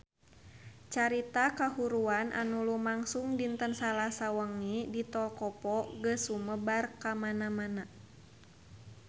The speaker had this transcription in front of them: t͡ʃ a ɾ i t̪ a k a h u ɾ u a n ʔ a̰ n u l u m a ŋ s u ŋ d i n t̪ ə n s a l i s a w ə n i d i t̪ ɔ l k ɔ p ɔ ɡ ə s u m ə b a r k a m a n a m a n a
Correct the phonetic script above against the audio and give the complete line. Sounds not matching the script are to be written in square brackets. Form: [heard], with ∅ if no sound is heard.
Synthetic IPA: t͡ʃ a ɾ i t̪ a k a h u ɾ u a n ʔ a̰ n u l u m a ŋ s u ŋ d i n t̪ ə n s a l [a] s a w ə [ŋ] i d i t̪ ɔ l k ɔ p ɔ ɡ ə s u m ə b a r k a m a n a m a n a